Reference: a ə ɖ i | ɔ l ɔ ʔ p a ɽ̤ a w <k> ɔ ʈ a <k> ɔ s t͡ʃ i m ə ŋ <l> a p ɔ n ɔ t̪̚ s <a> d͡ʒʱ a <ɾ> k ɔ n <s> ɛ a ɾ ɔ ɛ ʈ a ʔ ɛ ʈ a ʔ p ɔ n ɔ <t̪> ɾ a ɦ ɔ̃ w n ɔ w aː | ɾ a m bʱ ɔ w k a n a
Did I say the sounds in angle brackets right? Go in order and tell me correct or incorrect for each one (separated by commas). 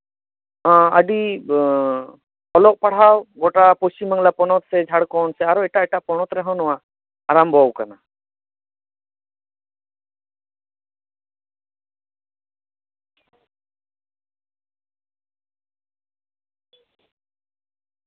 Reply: incorrect, incorrect, correct, incorrect, incorrect, correct, correct